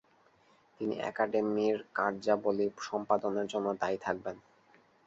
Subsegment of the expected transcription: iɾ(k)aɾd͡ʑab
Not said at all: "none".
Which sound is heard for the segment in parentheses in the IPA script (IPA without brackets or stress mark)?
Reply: k